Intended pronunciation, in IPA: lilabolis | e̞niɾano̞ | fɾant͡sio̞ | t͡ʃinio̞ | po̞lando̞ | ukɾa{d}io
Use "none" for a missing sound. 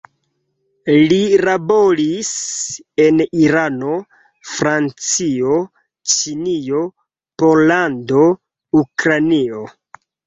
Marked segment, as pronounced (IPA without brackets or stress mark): n